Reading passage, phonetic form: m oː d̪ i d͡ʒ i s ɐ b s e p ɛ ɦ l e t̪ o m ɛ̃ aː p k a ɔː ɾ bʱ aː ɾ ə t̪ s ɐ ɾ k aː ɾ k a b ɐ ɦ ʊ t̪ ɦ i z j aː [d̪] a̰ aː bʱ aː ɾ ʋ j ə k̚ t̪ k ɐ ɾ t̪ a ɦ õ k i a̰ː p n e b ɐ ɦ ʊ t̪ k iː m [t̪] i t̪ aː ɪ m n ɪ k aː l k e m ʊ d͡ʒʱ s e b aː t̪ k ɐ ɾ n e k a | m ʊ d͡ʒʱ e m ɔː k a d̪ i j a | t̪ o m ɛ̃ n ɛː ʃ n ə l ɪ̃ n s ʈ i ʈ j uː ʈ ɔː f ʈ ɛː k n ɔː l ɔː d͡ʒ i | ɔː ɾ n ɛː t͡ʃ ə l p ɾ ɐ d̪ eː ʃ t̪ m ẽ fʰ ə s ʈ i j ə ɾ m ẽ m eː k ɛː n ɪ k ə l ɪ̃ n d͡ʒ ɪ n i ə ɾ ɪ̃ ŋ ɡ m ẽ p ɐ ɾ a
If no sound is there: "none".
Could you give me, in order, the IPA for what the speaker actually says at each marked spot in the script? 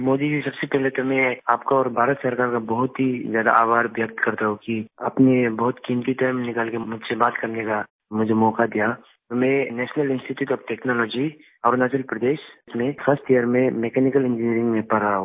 d̪, t̪

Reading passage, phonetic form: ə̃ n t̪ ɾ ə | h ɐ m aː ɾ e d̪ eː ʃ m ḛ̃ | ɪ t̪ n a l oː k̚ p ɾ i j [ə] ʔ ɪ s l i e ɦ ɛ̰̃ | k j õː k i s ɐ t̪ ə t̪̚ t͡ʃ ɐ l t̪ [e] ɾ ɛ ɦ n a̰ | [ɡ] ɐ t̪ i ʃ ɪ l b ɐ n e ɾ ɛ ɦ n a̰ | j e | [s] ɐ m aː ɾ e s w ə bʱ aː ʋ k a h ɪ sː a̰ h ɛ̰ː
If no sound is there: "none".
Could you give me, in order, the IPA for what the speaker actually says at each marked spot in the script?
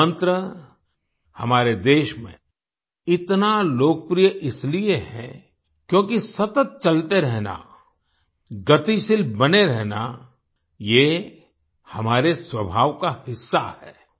ə, e, ɡ, h

